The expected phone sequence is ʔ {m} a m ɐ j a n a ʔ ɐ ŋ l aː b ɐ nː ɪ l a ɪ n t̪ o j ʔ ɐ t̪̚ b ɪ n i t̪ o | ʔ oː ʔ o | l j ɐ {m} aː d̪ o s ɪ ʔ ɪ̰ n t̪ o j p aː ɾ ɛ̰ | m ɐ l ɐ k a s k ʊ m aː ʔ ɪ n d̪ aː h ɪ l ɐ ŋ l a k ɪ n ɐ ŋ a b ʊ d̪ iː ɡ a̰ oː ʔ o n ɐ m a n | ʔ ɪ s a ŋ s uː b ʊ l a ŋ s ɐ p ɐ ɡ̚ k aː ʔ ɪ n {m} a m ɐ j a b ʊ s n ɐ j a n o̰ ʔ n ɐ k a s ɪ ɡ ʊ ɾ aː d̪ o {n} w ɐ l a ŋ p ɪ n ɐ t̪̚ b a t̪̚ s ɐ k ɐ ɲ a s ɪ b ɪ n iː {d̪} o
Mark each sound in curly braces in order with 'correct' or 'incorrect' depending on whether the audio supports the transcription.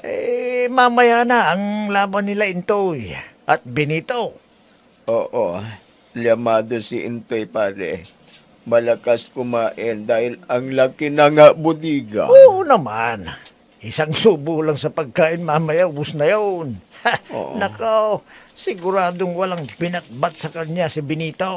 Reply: correct, correct, correct, incorrect: ŋ, incorrect: t̪

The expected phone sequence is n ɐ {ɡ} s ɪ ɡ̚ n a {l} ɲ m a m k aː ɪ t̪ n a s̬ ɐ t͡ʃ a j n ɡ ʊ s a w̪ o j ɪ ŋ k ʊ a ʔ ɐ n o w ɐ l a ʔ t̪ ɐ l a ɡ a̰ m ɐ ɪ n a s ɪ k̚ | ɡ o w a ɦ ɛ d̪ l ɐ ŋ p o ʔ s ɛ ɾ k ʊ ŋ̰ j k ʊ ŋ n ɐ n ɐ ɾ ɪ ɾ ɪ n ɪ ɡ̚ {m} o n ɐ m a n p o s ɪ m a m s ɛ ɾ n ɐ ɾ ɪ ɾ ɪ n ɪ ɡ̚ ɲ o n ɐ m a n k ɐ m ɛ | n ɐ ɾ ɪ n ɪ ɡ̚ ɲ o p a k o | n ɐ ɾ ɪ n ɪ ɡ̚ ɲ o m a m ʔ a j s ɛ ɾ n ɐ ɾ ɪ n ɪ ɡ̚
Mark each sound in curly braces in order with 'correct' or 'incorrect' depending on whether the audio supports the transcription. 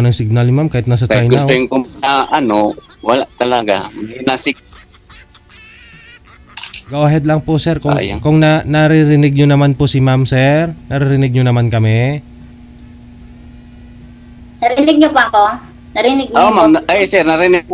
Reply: incorrect: ŋ, correct, incorrect: ɲ

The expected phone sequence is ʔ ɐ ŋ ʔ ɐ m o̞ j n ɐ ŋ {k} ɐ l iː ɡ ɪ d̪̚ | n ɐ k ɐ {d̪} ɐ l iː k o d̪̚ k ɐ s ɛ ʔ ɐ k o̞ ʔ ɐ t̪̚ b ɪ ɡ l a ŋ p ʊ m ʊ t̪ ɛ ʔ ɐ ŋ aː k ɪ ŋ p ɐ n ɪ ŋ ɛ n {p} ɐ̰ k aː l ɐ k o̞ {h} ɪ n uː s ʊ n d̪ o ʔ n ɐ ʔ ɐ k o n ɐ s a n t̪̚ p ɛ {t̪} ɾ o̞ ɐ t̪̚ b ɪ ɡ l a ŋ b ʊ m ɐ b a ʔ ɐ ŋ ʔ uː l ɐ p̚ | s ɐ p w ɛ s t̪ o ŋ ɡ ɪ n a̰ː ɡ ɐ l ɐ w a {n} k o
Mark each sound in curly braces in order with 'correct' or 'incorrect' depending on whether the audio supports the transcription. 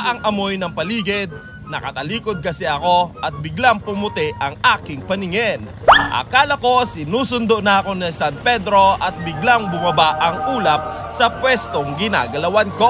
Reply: incorrect: p, incorrect: t̪, incorrect: ʔ, incorrect: s, incorrect: d̪, correct

